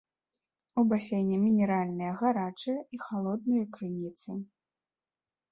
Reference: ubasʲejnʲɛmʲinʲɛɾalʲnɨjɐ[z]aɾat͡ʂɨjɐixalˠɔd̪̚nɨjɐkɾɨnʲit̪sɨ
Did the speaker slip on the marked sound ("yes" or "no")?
yes